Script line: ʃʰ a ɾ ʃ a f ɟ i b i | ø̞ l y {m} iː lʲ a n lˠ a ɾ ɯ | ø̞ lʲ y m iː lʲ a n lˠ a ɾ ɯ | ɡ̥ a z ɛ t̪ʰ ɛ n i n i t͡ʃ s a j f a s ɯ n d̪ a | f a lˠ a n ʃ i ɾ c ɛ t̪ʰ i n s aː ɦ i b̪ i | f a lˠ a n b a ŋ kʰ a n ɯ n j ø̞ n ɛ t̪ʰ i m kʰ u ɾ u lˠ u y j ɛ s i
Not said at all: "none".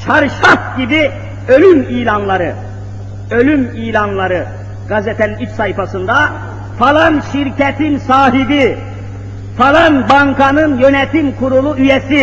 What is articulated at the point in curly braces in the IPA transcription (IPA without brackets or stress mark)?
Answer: m